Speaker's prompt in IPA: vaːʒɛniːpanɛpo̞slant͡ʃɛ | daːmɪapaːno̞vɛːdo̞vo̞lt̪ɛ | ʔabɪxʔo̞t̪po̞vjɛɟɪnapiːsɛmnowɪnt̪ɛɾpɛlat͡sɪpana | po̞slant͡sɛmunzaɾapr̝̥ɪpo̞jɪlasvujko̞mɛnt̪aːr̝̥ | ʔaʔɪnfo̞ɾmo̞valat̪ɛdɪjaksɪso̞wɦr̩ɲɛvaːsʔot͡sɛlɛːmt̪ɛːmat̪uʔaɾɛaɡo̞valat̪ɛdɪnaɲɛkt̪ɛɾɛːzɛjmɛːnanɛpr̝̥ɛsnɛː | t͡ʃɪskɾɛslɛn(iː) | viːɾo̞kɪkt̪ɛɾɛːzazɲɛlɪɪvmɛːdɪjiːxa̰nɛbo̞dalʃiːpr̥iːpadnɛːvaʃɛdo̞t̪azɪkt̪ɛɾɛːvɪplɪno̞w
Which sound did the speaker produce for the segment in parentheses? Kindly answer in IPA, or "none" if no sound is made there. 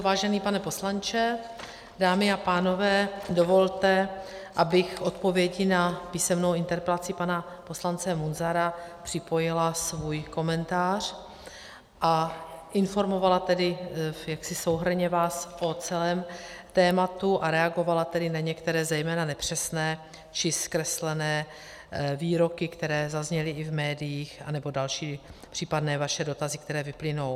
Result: ɛː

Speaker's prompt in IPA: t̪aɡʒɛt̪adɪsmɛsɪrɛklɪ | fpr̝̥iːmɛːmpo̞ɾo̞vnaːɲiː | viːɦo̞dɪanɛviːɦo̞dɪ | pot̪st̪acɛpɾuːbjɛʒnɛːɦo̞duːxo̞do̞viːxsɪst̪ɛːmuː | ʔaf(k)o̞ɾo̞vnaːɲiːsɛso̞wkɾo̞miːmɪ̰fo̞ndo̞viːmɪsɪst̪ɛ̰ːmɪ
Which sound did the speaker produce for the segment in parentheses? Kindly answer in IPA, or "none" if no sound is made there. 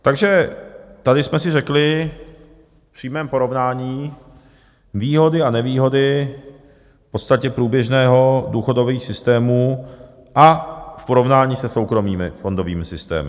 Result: p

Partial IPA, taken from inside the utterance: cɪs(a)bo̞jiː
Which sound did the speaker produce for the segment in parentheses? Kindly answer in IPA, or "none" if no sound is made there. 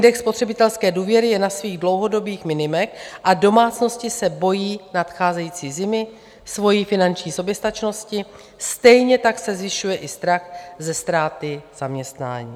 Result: ɛ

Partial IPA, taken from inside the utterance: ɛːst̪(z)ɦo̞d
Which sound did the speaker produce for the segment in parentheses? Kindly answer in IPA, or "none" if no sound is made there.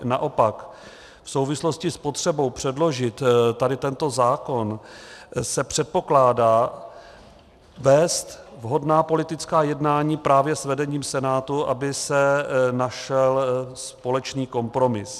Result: v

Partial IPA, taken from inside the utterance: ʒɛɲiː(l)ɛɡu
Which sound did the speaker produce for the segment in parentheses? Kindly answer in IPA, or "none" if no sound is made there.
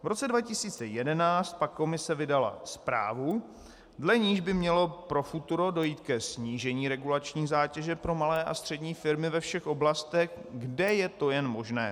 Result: ɾ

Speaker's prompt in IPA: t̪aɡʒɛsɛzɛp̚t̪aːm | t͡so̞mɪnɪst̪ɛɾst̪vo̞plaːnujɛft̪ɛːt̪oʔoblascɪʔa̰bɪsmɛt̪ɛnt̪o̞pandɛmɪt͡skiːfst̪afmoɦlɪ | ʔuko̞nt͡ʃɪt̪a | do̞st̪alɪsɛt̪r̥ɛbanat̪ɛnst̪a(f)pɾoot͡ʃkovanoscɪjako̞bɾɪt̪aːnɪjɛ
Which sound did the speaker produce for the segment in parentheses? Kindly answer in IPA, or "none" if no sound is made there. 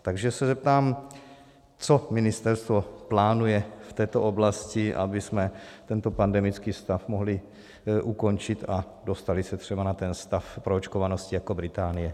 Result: f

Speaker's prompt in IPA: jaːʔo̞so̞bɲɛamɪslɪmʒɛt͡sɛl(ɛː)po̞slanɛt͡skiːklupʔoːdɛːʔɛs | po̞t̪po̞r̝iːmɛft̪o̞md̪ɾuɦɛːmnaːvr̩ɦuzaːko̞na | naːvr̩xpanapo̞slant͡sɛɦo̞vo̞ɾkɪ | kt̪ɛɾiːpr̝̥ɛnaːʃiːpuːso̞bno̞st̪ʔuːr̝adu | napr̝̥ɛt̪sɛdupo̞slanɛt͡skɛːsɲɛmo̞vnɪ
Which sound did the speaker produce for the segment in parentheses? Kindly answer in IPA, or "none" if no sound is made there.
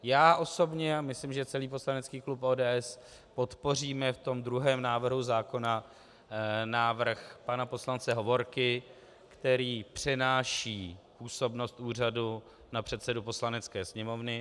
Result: iː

